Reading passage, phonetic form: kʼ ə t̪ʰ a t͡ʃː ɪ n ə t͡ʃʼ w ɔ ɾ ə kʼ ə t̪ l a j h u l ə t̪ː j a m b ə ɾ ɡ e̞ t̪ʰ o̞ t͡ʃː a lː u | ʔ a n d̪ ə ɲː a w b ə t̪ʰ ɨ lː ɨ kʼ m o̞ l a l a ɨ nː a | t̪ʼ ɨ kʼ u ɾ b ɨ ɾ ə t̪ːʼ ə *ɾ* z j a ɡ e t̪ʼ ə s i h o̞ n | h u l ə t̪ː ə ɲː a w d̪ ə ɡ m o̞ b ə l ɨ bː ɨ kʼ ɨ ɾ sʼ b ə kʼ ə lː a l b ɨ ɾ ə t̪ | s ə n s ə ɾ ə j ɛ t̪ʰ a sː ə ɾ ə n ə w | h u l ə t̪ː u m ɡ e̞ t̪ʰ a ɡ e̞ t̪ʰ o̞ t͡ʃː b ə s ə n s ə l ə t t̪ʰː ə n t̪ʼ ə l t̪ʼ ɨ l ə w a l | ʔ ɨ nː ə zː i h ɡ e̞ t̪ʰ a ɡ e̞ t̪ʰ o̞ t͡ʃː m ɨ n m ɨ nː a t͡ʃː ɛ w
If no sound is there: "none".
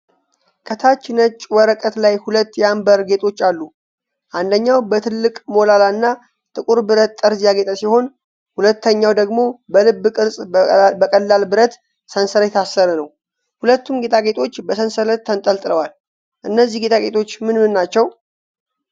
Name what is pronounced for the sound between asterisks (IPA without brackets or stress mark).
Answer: ɾ